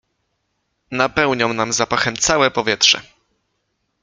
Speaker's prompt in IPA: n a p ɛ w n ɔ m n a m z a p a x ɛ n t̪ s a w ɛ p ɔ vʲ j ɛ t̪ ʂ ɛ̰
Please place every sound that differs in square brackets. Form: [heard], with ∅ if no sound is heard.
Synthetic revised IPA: n a p ɛ w [ɲ] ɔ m n a m z a p a x ɛ [m] t̪ s a w ɛ p ɔ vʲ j ɛ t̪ ʂ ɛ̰